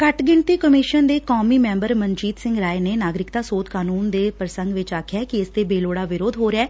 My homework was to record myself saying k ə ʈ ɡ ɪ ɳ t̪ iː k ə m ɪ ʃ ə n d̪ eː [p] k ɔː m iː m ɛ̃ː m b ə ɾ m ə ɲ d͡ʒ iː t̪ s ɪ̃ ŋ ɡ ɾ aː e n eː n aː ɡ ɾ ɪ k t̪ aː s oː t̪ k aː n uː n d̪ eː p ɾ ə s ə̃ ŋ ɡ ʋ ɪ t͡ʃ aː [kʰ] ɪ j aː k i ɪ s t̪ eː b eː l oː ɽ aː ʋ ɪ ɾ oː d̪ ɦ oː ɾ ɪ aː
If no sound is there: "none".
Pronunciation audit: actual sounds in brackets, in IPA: none, kʰ

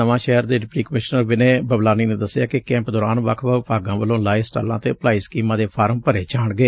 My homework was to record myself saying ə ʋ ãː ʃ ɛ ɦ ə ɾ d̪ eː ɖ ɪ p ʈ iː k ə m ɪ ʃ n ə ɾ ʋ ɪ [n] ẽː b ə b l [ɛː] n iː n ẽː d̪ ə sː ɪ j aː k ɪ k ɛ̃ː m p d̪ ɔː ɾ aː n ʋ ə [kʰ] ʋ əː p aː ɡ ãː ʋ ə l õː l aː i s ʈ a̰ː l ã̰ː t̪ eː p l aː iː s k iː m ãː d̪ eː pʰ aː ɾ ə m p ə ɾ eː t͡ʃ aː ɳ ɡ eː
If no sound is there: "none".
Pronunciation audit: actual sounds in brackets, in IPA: n, aː, kʰ

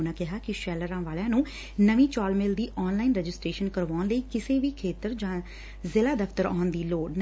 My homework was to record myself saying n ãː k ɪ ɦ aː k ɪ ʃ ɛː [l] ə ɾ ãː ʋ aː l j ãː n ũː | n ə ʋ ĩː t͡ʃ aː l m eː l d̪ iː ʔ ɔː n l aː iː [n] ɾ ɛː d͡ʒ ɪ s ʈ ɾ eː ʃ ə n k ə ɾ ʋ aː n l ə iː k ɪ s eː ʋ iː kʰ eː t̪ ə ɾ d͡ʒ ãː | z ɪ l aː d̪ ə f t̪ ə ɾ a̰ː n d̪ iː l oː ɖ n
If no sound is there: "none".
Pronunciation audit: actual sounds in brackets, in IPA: l, n

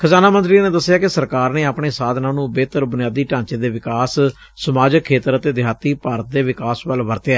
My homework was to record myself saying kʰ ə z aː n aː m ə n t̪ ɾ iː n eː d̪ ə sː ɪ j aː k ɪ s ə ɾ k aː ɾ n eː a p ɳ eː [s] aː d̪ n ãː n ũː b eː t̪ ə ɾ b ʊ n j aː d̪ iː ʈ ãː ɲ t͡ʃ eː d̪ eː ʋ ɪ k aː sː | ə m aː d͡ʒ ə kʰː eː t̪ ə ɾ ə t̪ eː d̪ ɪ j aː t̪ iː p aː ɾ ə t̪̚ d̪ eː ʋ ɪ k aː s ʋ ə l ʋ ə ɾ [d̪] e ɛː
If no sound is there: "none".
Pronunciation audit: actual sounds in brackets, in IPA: s, t̪

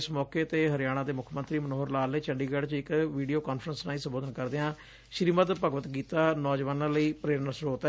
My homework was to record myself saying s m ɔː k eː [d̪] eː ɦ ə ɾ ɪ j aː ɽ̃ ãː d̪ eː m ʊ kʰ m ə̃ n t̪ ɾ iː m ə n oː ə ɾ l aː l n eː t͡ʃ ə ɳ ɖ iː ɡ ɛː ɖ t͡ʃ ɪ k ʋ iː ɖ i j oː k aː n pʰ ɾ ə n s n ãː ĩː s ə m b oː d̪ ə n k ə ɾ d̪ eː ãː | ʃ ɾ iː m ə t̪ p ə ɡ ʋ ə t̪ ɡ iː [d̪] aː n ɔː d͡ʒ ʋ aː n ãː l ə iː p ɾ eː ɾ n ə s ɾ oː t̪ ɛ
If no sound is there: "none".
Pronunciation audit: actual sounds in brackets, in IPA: t̪, t̪

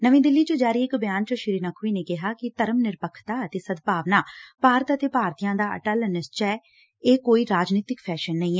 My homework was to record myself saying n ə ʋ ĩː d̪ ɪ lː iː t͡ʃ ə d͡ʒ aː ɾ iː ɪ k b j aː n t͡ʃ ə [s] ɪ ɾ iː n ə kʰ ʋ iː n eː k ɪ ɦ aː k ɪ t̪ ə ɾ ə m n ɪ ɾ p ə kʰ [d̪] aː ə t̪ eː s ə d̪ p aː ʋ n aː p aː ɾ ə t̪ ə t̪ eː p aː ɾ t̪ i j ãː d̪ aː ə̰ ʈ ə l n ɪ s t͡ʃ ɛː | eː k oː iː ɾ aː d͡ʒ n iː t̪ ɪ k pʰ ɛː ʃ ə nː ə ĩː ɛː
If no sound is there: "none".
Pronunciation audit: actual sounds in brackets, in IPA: ʃ, t̪

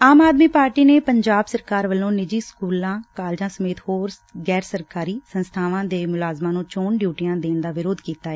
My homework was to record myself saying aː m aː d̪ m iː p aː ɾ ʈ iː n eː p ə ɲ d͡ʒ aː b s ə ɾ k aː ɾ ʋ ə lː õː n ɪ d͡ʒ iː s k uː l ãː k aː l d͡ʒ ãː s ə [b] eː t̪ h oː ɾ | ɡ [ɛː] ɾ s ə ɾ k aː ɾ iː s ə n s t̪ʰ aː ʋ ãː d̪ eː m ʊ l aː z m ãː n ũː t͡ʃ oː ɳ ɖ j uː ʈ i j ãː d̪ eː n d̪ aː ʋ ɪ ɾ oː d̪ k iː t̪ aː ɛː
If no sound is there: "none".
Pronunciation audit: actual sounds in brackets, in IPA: m, ɛː

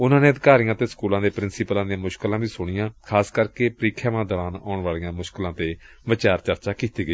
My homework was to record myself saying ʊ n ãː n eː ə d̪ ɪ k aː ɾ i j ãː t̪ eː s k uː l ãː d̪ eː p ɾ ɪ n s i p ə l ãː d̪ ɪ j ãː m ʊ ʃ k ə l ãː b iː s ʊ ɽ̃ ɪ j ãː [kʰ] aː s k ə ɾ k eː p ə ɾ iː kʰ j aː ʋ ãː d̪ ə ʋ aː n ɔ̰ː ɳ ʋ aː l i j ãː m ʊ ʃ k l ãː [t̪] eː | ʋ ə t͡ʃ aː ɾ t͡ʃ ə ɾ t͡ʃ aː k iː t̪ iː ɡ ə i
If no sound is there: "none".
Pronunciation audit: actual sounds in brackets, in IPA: kʰ, t̪

